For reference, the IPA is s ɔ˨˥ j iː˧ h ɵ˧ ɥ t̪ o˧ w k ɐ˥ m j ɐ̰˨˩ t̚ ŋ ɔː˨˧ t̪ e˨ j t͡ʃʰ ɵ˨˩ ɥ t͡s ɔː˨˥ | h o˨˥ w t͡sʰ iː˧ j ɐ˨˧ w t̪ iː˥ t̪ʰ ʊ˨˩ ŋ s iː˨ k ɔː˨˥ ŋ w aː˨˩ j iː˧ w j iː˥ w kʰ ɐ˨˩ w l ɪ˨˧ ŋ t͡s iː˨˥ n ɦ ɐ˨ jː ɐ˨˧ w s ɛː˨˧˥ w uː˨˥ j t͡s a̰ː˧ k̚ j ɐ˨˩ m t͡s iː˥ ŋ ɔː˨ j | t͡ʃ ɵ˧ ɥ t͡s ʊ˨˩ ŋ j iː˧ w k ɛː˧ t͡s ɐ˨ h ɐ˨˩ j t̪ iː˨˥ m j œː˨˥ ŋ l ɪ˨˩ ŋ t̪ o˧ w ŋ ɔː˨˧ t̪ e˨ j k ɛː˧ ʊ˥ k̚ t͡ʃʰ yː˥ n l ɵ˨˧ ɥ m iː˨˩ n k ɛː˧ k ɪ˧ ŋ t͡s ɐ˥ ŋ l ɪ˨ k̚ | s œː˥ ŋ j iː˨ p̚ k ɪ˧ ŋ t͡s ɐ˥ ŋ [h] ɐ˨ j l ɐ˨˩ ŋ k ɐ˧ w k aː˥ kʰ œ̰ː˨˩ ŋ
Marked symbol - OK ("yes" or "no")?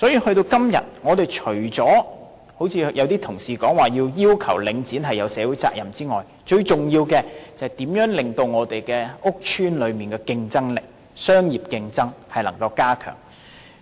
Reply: yes